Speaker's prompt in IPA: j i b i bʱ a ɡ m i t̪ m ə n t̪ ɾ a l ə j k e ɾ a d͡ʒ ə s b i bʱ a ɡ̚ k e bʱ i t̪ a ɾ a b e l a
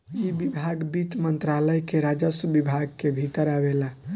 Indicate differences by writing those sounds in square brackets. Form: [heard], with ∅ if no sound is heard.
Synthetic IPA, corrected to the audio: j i b i bʱ a ɡ [b] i t̪ m ə n t̪ ɾ a l ə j k e ɾ a d͡ʒ ə s b i bʱ a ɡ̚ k e bʱ i t̪ [ə] ɾ a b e l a